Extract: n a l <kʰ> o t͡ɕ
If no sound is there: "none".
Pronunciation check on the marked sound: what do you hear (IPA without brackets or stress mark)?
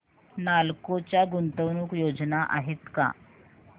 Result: k